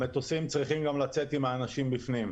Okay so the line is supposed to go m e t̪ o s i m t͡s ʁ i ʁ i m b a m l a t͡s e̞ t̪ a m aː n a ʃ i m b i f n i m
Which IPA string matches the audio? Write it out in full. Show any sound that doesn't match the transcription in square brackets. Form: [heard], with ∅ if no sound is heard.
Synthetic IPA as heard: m e t̪ o s i m t͡s ʁ i [χ] i m [ɡ] a m l a t͡s e̞ t̪ [i] m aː n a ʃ i m b i f n i m